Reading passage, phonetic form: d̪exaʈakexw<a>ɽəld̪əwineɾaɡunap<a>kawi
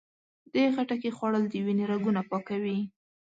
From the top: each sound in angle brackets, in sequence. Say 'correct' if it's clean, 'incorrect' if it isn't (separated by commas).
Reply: incorrect, incorrect